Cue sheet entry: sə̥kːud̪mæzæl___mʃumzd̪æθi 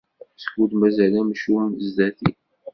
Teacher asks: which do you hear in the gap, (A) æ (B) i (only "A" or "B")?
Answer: A